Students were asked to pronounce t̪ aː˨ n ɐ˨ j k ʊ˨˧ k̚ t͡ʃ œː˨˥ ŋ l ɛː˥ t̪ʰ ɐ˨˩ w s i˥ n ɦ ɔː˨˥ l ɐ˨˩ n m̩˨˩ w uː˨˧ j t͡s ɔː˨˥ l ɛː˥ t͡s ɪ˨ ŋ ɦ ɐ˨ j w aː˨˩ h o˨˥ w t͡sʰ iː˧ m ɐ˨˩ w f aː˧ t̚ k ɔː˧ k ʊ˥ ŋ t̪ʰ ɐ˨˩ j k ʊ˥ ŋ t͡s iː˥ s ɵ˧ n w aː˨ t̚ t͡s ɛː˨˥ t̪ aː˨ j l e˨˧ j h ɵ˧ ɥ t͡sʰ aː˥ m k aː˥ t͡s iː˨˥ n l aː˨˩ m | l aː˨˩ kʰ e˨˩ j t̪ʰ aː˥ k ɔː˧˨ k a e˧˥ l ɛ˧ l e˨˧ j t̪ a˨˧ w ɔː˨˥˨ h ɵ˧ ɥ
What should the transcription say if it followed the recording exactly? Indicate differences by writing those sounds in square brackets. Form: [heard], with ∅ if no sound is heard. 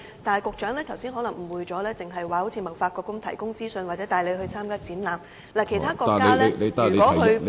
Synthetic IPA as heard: t̪ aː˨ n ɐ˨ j k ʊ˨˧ k̚ t͡ʃ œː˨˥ ŋ l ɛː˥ t̪ʰ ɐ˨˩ w s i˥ n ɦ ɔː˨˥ l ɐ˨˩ [ŋ] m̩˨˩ w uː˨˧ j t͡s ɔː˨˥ l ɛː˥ t͡s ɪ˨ ŋ ɦ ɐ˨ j w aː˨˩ h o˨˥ w t͡sʰ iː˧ m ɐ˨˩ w f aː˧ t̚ k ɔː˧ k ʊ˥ ŋ t̪ʰ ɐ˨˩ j k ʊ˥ ŋ t͡s iː˥ s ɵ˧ n w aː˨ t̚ t͡s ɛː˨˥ t̪ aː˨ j l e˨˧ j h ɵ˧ ɥ t͡sʰ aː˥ m k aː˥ t͡s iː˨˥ n l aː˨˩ m | l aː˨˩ kʰ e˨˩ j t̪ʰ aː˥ k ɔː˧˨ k a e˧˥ l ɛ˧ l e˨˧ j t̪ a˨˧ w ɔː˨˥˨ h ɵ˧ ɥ